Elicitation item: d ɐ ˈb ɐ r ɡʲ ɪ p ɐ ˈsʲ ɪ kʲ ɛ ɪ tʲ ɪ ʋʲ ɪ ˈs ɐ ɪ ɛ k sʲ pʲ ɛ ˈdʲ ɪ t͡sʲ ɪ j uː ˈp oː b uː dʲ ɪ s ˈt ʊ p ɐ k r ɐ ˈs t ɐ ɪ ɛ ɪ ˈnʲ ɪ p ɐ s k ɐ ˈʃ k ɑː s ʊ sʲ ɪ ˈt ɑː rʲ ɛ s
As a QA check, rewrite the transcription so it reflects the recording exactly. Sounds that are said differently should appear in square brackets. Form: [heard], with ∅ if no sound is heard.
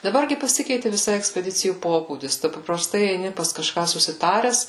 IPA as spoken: d ɐ ˈb ɐ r ɡʲ ɪ p ɐ ˈsʲ ɪ kʲ ɛ ɪ tʲ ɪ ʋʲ ɪ ˈs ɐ ɪ ɛ k sʲ pʲ ɛ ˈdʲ ɪ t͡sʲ ɪ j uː ˈp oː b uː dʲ ɪ s ˈt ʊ p ɐ [p] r ɐ ˈs t ɐ ɪ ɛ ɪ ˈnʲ ɪ p ɐ s k ɐ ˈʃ k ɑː s ʊ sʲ ɪ ˈt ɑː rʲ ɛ s

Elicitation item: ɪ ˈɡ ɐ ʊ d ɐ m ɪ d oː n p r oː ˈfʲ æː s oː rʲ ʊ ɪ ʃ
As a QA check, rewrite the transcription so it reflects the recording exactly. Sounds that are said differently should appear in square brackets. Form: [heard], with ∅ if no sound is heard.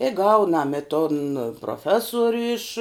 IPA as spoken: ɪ ˈɡ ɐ ʊ [n] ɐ m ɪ [t] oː n p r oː ˈfʲ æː s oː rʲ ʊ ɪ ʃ

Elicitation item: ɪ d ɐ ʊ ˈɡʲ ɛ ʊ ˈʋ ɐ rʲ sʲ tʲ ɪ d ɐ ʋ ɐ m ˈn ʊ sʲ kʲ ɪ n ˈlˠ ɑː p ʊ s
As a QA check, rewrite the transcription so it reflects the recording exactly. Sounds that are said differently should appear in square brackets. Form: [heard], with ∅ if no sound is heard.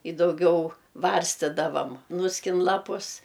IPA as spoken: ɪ d ɐ ʊ ˈɡʲ ɛ ʊ ˈʋ ɐ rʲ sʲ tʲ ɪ d ɐ ʋ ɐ m ˈn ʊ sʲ kʲ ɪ n ˈlˠ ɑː p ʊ s

